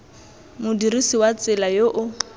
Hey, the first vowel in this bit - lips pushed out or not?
yes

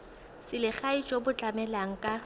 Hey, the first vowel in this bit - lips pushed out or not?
no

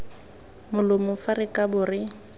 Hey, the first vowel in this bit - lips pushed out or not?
yes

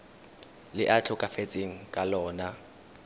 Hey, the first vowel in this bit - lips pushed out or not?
no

